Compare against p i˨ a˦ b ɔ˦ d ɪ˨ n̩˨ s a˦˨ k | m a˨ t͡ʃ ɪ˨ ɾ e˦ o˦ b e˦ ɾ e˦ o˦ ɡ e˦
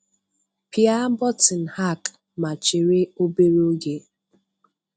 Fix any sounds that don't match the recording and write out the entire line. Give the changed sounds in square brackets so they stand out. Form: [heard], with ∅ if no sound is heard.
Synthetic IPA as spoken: p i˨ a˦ b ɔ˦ [t] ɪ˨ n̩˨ [h] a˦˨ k | m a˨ t͡ʃ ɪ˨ ɾ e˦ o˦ b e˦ ɾ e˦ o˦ ɡ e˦